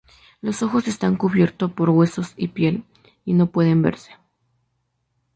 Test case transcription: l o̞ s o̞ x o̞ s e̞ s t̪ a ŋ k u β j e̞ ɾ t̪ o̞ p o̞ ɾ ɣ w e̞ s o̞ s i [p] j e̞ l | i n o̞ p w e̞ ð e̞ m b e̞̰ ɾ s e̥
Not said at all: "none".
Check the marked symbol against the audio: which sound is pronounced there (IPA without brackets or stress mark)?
p